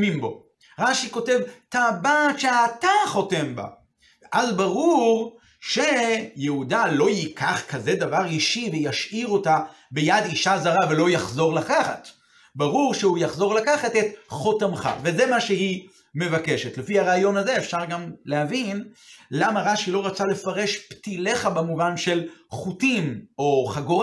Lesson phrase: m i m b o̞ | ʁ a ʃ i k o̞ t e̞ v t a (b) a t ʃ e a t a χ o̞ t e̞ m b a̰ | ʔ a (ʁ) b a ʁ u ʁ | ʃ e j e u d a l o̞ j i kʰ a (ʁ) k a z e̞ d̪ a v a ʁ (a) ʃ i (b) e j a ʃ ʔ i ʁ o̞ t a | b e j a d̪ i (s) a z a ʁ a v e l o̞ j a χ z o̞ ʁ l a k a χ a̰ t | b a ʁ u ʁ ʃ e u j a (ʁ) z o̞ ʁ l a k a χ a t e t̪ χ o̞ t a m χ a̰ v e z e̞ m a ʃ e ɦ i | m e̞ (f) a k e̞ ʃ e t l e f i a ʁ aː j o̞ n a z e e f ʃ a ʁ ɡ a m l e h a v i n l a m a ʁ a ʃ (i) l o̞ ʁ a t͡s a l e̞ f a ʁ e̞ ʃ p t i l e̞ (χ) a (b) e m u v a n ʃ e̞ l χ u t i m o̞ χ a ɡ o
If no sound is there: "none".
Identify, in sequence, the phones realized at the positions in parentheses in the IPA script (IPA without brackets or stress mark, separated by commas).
b, z, χ, i, v, ʃ, χ, v, i, χ, b